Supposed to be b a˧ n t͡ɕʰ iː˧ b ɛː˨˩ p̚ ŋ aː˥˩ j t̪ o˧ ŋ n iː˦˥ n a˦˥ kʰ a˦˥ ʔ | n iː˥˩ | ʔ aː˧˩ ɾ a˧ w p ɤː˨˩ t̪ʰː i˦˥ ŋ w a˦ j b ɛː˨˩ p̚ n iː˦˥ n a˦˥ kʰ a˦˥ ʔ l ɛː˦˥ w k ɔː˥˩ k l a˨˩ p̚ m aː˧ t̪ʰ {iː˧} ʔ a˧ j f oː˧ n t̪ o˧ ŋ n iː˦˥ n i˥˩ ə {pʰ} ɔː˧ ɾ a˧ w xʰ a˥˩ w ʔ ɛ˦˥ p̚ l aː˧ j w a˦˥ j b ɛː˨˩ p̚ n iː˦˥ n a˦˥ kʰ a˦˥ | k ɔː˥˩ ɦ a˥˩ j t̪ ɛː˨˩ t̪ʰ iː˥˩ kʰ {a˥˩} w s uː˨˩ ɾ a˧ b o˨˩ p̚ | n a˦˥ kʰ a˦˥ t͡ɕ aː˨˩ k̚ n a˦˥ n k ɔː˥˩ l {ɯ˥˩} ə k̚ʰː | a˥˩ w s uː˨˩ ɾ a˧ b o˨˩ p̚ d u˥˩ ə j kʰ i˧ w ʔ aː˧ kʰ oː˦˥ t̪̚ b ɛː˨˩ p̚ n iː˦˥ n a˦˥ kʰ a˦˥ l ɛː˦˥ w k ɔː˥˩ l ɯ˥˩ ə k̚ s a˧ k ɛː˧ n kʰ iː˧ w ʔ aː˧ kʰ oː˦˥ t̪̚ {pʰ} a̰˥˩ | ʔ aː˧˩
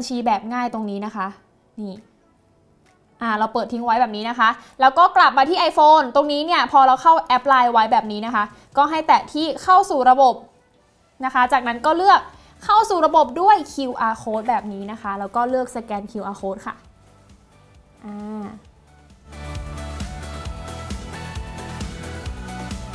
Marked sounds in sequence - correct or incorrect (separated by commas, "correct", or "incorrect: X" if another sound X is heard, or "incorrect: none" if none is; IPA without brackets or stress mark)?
incorrect: iː˥˩, correct, correct, correct, incorrect: kʰ